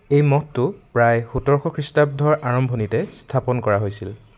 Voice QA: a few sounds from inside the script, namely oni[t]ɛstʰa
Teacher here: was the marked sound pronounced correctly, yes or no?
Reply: yes